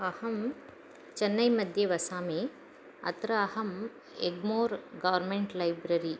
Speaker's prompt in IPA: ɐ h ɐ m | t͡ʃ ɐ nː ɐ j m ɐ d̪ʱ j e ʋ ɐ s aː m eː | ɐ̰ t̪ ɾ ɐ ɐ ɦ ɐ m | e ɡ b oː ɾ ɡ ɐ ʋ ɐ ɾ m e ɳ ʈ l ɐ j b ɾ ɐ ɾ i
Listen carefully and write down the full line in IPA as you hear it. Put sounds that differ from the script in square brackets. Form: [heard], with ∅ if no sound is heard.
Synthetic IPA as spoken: ɐ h ɐ m | t͡ʃ ɐ nː ɐ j m ɐ d̪ʱ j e ʋ ɐ s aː m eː | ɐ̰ t̪ ɾ ɐ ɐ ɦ ɐ m | e ɡ [m] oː ɾ ɡ ɐ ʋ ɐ ɾ m e ɳ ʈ l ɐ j b ɾ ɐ ɾ i